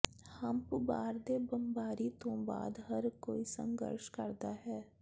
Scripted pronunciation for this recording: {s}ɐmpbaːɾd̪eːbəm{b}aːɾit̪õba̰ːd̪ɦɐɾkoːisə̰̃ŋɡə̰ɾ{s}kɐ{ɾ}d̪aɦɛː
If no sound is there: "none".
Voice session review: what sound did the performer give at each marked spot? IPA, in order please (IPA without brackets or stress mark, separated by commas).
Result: h, b, ʃ, ɾ